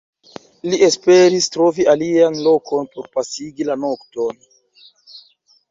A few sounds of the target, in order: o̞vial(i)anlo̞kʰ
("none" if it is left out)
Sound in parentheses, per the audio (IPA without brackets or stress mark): i